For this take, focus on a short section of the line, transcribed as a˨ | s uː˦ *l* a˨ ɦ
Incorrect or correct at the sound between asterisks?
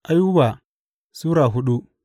incorrect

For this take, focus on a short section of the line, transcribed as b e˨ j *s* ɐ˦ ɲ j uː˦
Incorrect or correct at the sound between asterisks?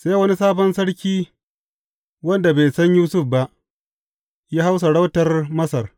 correct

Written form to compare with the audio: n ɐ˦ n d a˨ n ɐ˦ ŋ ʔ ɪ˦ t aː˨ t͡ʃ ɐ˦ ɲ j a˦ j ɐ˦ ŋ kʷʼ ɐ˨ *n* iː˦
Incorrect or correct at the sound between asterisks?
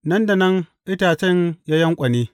correct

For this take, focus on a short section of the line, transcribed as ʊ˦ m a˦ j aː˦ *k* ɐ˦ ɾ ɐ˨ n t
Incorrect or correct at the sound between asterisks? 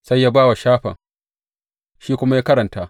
correct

